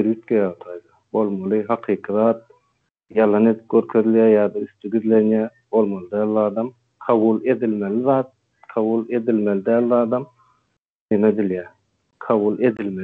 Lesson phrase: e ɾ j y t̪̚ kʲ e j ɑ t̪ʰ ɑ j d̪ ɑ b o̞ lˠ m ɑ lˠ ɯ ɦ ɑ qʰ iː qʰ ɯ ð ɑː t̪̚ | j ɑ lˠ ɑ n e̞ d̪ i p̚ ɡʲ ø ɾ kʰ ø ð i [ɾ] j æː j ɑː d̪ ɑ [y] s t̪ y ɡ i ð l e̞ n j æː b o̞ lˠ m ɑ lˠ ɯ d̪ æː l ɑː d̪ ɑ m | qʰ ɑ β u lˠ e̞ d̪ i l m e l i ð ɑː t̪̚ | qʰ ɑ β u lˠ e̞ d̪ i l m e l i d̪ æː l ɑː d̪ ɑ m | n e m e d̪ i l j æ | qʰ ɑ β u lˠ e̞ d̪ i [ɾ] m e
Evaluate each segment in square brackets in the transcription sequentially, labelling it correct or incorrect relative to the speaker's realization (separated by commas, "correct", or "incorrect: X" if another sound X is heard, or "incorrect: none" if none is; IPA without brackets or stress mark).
incorrect: l, correct, incorrect: l